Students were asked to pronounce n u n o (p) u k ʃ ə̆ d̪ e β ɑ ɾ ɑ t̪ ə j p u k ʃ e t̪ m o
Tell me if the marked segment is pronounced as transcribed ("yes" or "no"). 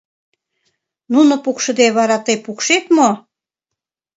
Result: yes